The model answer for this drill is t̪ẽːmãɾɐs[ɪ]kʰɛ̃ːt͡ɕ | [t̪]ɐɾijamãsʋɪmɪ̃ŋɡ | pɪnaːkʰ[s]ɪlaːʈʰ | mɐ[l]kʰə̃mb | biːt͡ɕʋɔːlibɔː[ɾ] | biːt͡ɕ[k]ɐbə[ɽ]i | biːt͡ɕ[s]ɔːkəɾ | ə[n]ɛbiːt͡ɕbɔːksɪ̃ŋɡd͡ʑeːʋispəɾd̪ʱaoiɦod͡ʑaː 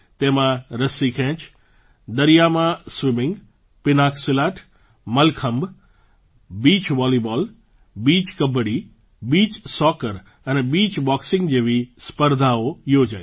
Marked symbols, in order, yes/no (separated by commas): no, no, yes, yes, no, yes, yes, yes, yes